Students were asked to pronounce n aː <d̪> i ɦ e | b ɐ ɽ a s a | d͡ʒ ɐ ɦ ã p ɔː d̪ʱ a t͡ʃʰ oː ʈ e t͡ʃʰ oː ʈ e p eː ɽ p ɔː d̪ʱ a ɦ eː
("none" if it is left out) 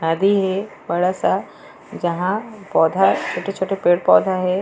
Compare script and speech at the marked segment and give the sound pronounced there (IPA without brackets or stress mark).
d̪